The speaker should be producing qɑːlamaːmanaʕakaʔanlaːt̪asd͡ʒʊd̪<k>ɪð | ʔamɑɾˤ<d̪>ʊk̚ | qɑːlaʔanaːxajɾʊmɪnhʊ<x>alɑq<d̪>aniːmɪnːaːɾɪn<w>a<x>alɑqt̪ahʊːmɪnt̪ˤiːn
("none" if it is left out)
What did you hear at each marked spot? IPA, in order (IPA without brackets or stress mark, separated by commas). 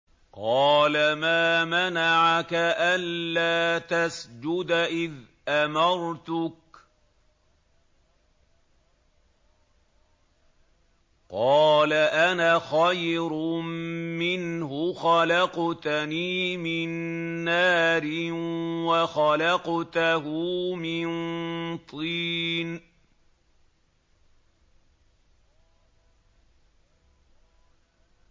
ʔ, t̪, x, t̪, w, x